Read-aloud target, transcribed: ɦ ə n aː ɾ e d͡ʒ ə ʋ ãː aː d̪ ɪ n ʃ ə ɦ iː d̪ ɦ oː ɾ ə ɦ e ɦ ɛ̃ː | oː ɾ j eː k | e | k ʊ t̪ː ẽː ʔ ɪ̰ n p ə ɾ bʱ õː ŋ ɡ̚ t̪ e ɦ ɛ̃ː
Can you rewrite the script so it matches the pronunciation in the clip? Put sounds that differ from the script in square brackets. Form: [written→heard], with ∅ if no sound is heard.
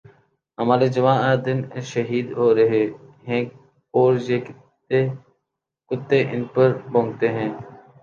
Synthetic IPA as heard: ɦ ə [n→m] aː ɾ e d͡ʒ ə ʋ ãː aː d̪ ɪ n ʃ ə ɦ iː d̪ ɦ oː ɾ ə ɦ e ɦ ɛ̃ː | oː ɾ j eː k | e | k ʊ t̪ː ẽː ʔ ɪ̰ n p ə ɾ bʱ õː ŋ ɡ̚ t̪ e ɦ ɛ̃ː

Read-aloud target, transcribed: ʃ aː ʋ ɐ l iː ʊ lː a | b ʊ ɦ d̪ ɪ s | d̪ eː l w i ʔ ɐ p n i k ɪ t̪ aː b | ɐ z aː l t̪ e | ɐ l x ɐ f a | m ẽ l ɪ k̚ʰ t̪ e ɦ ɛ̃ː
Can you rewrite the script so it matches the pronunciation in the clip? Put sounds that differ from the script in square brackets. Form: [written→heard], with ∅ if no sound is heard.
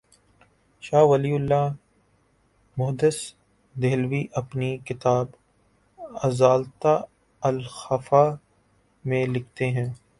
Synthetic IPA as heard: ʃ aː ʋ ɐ l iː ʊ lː a | [b→m] ʊ ɦ d̪ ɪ s | d̪ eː l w i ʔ ɐ p n i k ɪ t̪ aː b | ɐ z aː l t̪ [e→a] | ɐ l x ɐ f a | m ẽ l ɪ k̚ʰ t̪ e ɦ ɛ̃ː

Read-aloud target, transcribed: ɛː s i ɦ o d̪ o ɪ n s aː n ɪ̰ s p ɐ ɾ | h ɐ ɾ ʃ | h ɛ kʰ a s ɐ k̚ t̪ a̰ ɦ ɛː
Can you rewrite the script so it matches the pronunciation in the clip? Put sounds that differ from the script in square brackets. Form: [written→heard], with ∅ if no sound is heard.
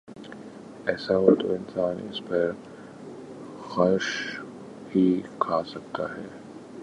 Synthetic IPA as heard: ɛː s [i→a] ɦ o [d̪→t̪] o ɪ n s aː n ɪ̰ s p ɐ ɾ | [h→x] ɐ ɾ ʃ | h [ɛ→i] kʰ a s ɐ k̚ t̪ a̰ ɦ ɛː

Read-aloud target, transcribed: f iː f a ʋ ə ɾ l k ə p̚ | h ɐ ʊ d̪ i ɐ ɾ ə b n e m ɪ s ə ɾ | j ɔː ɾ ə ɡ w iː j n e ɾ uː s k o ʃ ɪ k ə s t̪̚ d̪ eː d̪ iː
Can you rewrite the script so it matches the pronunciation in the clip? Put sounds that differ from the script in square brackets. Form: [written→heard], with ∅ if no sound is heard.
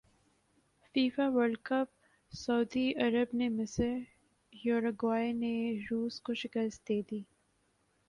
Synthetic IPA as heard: f iː f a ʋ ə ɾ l k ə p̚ | [h→s] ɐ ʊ d̪ i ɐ ɾ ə b n e m ɪ s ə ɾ | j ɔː ɾ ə ɡ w [iː→aː] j n e ɾ uː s k o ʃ ɪ k ə s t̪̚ d̪ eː d̪ iː

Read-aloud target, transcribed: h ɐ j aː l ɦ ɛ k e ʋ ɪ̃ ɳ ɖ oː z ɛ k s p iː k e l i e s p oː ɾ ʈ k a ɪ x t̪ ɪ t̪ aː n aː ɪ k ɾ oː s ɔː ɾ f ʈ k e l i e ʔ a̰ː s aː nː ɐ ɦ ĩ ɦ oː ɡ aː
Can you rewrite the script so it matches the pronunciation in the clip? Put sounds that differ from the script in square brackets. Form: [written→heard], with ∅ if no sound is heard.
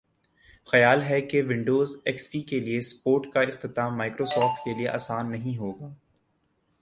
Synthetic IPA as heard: [h→x] ɐ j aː l ɦ ɛ k e ʋ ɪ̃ ɳ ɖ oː z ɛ k s p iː k e l i e s p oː ɾ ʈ k a ɪ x t̪ ɪ t̪ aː [n→m] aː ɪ k ɾ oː s ɔː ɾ f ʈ k e l i e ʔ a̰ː s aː nː ɐ ɦ ĩ ɦ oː ɡ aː

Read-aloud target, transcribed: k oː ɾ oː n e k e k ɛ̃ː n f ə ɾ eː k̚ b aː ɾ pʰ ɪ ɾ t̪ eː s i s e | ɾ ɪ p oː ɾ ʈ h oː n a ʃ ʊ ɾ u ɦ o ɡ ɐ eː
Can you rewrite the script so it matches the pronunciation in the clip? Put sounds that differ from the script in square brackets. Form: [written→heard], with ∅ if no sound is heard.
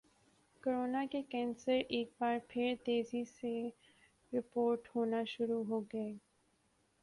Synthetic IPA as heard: k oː ɾ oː n [e→a] k e k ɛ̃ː n [f→s] ə ɾ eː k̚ b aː ɾ pʰ ɪ ɾ t̪ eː [s→z] i s e | ɾ ɪ p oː ɾ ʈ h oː n a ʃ ʊ ɾ u ɦ o ɡ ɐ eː

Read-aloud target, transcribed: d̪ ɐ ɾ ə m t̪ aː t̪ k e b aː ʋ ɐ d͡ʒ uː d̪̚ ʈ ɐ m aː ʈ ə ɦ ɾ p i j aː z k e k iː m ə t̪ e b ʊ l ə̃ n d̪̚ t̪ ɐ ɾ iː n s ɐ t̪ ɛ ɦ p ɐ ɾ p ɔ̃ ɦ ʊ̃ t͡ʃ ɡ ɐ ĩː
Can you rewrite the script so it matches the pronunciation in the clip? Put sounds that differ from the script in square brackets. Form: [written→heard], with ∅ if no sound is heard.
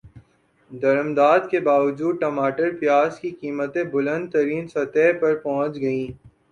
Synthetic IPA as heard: d̪ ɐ ɾ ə m [t̪→d̪] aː [t̪→d̪] k e b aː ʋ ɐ d͡ʒ uː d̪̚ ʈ ɐ m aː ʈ ə [ɦ→∅] ɾ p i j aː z k [e→i] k iː m ə t̪ e b ʊ l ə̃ n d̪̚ t̪ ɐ ɾ iː n s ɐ t̪ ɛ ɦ p ɐ ɾ p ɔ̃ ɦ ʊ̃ t͡ʃ ɡ ɐ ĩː

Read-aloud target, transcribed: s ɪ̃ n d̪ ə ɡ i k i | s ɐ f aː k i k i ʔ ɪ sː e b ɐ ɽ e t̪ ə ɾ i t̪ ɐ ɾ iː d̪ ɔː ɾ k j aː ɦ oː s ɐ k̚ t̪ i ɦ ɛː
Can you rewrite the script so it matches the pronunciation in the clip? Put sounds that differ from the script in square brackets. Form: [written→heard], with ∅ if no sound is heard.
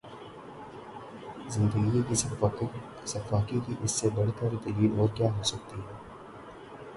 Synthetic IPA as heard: [s→z] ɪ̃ n d̪ ə ɡ i k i | s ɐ f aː k i k i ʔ ɪ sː e b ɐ ɽ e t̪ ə ɾ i t̪ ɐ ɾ iː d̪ ɔː ɾ k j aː ɦ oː s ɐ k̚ t̪ i ɦ ɛː

